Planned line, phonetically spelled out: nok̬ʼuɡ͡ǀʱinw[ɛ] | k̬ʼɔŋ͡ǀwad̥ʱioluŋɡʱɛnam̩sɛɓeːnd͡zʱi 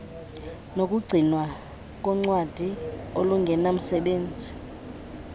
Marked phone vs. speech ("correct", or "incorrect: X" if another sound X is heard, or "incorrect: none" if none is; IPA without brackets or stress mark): incorrect: a